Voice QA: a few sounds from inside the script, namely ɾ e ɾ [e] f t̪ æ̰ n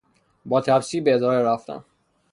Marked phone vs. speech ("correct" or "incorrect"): incorrect